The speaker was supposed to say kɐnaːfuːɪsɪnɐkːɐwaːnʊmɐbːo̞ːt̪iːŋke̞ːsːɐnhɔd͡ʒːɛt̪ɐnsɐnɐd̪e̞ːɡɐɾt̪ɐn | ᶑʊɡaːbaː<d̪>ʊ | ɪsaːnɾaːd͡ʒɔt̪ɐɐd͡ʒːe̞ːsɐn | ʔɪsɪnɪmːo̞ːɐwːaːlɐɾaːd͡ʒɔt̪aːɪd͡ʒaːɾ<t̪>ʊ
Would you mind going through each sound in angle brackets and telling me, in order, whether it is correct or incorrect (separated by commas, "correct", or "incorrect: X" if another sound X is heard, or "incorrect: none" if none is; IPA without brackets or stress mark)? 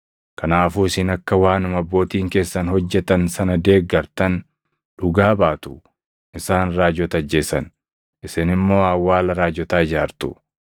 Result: incorrect: t̪, correct